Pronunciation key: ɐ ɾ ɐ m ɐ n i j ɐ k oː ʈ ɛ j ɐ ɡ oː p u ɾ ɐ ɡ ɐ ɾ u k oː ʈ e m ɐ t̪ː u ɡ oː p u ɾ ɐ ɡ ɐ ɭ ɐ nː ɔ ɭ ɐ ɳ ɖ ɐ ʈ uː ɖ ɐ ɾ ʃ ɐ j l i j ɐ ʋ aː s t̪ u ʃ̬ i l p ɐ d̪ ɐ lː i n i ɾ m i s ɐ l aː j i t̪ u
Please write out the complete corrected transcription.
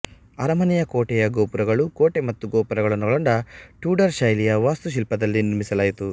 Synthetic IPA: ɐ ɾ ɐ m ɐ n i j ɐ k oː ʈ ɛ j ɐ ɡ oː p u ɾ ɐ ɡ ɐ ɭ u k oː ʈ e m ɐ t̪ː u ɡ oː p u ɾ ɐ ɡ ɐ ɭ ɐ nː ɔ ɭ ɐ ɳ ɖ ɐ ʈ uː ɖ ɐ ɾ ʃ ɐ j l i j ɐ ʋ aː s t̪ u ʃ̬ i l p ɐ d̪ ɐ lː i n i ɾ m i s ɐ l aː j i t̪ u